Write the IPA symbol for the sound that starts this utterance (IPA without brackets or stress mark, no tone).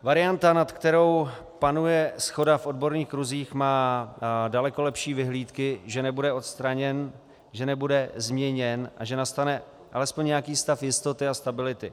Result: v